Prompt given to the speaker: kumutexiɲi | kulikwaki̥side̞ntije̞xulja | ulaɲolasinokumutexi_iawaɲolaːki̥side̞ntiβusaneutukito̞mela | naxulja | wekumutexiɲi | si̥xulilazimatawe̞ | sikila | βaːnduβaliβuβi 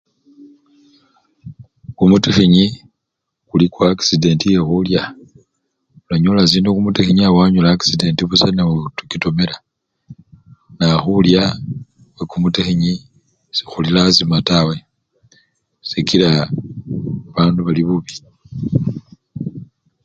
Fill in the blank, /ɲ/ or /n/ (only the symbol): ɲ